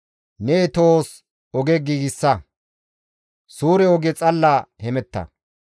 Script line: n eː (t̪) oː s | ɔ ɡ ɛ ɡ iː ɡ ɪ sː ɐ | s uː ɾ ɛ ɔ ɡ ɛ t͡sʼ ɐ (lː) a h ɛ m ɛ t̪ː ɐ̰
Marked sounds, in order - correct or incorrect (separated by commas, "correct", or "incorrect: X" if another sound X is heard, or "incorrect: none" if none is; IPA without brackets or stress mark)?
correct, correct